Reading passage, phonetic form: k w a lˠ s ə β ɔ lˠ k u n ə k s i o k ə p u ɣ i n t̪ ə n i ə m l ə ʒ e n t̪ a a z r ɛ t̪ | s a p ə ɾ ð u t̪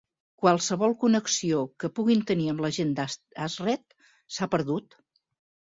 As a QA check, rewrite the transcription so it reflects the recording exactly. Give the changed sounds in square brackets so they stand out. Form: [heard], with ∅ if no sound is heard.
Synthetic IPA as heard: k w a lˠ s ə β ɔ lˠ k u n ə k s i o k ə p u ɣ i n t̪ ə n i ə m l ə ʒ e n [d̪] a a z r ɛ t̪ | s a p ə ɾ ð u t̪